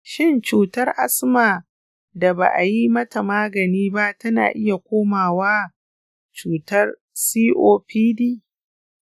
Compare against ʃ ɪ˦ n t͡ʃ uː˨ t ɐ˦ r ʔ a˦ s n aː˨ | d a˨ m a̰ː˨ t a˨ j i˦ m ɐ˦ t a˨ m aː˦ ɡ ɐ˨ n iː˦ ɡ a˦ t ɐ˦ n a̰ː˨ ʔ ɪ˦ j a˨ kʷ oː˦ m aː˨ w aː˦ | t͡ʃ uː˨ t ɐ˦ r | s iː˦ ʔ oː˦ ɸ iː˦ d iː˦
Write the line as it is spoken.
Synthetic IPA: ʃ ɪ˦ n t͡ʃ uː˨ t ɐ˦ r ʔ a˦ s m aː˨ | d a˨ b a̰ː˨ ʔ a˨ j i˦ m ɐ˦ t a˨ m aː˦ ɡ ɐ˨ n iː˦ b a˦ t ɐ˦ n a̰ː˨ ʔ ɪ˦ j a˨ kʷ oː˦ m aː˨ w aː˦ | t͡ʃ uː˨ t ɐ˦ r | s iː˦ ʔ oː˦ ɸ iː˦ d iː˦

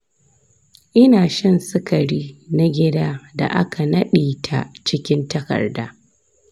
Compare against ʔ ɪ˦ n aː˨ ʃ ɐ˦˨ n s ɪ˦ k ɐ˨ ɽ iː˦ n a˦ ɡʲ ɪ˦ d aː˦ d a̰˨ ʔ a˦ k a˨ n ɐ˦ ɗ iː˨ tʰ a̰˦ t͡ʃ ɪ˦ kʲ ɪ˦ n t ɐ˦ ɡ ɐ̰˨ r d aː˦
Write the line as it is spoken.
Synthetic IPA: ʔ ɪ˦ n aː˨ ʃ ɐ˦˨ n s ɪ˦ k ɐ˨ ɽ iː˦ n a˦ ɡʲ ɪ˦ d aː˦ d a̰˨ ʔ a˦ k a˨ n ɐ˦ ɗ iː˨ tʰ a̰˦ t͡ʃ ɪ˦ kʲ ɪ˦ n t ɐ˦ k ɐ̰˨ r d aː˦

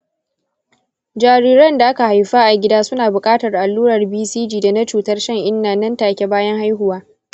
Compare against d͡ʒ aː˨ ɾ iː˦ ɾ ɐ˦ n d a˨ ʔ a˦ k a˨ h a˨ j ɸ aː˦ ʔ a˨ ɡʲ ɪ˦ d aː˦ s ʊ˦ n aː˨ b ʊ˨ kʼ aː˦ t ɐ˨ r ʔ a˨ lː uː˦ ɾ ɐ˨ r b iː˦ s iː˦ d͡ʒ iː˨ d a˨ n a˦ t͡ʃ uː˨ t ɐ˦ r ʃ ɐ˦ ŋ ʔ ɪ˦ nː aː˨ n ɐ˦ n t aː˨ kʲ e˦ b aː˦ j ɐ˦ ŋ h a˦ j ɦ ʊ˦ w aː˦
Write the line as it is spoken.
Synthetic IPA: d͡ʒ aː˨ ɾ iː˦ ɾ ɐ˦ n d a˨ ʔ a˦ k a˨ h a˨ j ɸ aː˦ ʔ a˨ ɡʲ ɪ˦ d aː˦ s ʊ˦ n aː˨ b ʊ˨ kʼ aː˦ t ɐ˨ r ʔ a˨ lː uː˦ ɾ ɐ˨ r b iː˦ s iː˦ d͡ʒ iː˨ d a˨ n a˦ t͡ʃ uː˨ t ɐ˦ r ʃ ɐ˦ ŋ ʔ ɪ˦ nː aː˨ n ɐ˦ n t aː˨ kʲ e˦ b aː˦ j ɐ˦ ŋ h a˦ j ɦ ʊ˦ w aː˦

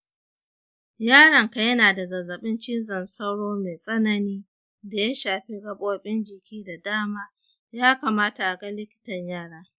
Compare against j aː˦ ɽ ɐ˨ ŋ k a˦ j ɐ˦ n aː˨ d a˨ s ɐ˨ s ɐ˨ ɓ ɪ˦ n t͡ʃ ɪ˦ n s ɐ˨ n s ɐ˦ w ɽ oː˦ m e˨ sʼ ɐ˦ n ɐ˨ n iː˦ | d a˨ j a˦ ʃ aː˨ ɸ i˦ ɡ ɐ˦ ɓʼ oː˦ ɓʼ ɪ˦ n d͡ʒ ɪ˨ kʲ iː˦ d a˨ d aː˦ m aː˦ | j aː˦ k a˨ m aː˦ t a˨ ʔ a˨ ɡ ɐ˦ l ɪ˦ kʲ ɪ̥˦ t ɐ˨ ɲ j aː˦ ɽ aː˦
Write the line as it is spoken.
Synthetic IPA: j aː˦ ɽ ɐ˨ ŋ k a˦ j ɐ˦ n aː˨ d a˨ z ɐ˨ z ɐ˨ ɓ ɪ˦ n t͡ʃ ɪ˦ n z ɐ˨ n s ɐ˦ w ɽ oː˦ m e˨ sʼ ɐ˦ n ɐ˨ n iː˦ | d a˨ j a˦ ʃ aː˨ ɸ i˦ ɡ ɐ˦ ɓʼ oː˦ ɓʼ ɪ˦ n d͡ʒ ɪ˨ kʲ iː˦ d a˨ d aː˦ m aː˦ | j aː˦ k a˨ m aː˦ t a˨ ʔ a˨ ɡ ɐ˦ l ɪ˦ kʲ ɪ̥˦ t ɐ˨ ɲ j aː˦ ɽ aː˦

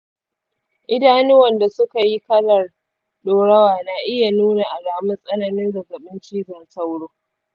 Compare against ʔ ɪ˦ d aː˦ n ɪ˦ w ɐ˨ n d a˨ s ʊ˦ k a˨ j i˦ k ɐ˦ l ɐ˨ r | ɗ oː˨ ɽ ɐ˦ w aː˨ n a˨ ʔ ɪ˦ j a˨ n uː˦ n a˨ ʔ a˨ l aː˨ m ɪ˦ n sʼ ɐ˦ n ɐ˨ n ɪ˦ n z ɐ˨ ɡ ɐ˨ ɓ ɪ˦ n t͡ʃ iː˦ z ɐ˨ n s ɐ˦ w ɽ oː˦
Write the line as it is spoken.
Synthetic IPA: ʔ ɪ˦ d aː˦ n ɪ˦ w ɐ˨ n d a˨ s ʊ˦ k a˨ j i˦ k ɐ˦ l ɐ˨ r | ɗ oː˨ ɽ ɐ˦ w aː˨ n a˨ ʔ ɪ˦ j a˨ n uː˦ n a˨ ʔ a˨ l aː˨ m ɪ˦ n sʼ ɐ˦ n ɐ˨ n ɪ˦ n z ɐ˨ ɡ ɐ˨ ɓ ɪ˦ n t͡ʃ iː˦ z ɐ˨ n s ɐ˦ w ɽ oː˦

